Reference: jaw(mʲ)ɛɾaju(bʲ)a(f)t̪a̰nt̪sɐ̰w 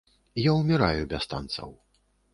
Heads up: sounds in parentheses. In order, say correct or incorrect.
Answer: correct, correct, incorrect: s

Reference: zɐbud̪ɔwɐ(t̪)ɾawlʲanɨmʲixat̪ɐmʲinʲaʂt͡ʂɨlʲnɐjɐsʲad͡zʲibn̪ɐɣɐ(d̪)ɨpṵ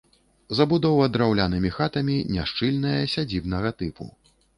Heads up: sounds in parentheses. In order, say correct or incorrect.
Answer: incorrect: d̪, incorrect: t̪

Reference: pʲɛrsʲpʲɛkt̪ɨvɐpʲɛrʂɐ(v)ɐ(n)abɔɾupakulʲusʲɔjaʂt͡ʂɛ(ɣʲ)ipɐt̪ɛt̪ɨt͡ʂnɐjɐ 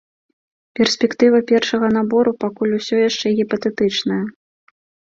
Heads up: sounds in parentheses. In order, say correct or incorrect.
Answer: incorrect: ɣ, correct, correct

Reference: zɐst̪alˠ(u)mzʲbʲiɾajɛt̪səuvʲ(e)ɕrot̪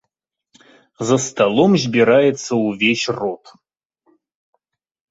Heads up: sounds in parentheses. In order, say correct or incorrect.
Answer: incorrect: o, correct

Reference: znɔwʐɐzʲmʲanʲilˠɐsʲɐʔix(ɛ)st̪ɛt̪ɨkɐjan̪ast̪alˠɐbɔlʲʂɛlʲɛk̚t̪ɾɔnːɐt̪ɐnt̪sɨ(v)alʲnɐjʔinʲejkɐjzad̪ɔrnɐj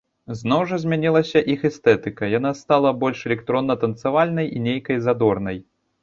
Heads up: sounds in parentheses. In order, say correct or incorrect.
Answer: correct, correct

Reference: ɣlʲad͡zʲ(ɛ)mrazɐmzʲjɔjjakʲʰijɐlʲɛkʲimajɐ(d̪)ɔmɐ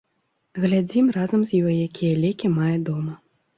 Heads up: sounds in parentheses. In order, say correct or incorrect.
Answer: incorrect: i, correct

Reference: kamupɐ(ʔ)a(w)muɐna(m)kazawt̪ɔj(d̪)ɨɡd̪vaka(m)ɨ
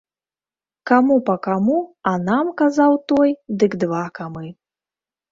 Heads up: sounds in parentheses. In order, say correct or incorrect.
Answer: incorrect: k, incorrect: none, correct, correct, correct

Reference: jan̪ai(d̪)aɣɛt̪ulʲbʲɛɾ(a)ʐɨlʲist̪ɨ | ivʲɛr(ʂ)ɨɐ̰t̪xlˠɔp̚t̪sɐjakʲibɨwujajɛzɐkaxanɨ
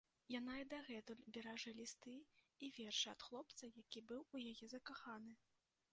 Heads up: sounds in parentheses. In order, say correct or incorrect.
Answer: correct, correct, correct

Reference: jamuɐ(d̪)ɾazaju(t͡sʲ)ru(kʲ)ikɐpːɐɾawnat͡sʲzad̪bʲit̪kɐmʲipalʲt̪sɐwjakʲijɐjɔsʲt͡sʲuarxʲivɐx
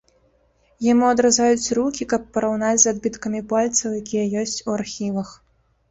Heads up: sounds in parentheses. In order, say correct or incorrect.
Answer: correct, correct, correct

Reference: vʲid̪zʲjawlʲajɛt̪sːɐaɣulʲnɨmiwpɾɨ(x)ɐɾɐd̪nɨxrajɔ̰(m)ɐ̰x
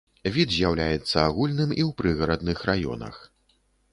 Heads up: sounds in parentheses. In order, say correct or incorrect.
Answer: incorrect: ɣ, incorrect: n

